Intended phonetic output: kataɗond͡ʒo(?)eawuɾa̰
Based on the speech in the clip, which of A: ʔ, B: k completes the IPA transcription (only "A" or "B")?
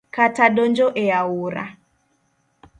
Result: A